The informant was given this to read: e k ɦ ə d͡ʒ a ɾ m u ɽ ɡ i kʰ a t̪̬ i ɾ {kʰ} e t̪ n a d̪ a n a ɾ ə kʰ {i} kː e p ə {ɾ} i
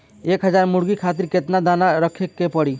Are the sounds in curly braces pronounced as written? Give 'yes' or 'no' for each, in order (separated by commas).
no, no, no